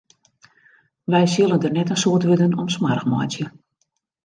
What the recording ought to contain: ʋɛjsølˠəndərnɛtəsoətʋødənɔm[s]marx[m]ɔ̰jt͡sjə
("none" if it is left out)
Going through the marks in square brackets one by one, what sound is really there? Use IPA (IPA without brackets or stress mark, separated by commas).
s, m